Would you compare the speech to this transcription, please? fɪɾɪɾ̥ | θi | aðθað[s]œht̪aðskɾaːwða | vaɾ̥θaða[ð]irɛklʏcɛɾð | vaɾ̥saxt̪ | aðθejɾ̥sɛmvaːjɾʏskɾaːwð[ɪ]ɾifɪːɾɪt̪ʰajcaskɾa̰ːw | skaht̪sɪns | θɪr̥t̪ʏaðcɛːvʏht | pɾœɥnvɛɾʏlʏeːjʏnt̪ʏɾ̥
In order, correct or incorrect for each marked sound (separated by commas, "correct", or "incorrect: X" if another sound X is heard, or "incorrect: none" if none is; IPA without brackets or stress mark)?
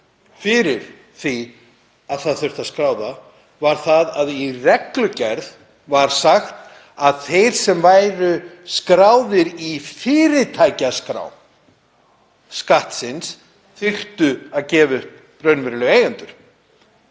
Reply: incorrect: θ, correct, correct